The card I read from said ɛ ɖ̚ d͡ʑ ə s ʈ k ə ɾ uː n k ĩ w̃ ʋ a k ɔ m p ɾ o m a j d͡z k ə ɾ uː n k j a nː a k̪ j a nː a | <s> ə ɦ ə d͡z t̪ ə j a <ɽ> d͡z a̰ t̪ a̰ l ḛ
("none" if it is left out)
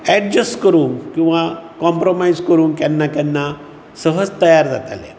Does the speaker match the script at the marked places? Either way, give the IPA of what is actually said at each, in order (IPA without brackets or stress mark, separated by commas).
s, ɾ